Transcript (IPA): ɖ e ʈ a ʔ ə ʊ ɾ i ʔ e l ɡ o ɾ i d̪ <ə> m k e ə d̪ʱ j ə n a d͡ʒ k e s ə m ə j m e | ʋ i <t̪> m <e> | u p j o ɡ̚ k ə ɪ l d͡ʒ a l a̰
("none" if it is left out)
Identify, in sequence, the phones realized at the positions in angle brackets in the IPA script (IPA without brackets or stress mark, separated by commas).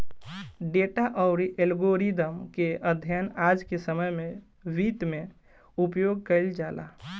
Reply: ə, t̪, e